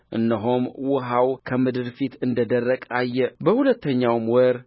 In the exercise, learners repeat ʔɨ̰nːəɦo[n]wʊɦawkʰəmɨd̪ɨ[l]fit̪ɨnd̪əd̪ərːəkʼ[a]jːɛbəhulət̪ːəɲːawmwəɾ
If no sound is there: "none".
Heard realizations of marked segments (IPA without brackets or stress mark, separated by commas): m, ɾ, a